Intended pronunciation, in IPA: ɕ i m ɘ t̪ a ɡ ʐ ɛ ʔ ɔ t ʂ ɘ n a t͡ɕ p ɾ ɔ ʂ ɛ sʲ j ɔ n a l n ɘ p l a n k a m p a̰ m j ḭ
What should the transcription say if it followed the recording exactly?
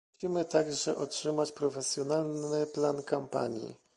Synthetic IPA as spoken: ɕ i m ɘ t̪ a ɡ ʐ ɛ ʔ ɔ t ʂ ɘ m a t͡ɕ p ɾ ɔ f ɛ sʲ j ɔ n a l n ɘ p l a n k a m p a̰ ɲ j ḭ